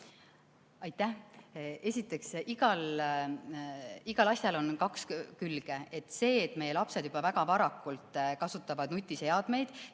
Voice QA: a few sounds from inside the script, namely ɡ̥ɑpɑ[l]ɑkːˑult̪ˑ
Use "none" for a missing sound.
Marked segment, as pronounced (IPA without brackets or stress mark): ɾ